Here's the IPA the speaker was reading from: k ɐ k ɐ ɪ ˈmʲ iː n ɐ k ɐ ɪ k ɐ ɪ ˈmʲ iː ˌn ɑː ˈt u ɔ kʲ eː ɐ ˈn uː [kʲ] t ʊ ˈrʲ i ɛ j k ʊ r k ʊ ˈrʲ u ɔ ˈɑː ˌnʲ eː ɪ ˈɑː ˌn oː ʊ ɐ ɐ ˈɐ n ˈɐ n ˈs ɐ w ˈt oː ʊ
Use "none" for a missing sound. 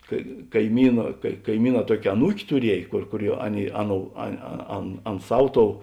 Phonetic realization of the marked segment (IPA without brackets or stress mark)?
kʲ